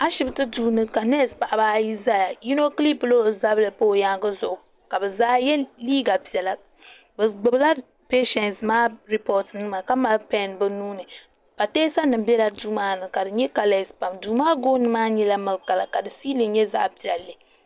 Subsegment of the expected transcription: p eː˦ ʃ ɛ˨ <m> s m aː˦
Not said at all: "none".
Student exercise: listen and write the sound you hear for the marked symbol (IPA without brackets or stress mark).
n